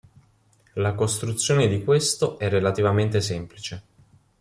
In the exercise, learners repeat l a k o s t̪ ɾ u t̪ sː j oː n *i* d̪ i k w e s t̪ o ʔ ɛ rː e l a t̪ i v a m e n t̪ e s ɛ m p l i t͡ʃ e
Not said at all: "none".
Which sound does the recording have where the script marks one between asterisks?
e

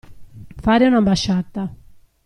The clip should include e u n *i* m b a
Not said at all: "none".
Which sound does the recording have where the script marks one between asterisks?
a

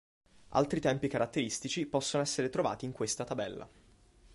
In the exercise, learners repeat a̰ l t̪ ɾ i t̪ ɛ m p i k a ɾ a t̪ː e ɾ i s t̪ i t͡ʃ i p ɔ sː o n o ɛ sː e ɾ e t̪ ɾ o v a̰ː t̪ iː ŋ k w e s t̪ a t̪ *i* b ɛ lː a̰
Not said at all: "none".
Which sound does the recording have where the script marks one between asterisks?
a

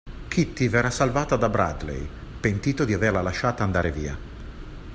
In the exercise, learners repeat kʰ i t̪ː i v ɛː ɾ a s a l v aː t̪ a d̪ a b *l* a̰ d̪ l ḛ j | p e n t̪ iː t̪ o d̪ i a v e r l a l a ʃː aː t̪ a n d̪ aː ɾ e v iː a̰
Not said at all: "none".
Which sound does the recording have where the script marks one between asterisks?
ɾ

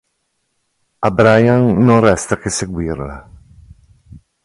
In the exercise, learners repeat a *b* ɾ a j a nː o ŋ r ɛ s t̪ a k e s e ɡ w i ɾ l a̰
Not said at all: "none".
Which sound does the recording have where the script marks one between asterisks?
b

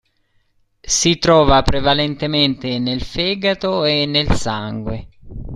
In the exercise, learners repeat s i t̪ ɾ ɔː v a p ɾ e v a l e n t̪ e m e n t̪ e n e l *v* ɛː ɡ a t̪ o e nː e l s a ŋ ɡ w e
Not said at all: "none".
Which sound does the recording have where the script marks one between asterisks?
f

